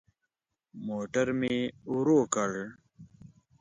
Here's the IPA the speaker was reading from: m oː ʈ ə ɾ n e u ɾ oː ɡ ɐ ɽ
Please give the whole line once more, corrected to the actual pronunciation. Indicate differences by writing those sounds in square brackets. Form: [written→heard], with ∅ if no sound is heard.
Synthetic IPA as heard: m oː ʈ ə ɾ [n→m] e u ɾ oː [ɡ→k] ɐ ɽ